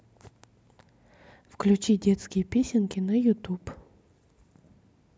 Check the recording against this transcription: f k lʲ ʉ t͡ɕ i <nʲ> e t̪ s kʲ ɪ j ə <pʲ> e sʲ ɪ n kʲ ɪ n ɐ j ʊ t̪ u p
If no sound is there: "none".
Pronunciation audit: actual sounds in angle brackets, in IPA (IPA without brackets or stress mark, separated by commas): dʲ, pʲ